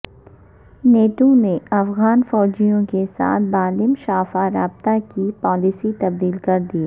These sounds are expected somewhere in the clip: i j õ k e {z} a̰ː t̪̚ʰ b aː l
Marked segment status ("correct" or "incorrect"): incorrect